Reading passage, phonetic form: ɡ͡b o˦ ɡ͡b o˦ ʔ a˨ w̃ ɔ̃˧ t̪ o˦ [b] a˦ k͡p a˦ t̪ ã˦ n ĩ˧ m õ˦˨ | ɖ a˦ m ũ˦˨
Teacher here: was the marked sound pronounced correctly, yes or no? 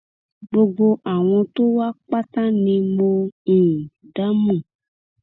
no